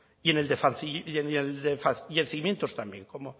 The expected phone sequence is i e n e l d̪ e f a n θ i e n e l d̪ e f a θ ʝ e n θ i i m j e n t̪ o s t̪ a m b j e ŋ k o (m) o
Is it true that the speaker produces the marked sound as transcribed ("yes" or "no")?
yes